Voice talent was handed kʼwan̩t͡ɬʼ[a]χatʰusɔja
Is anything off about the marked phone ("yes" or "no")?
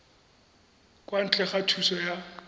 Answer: yes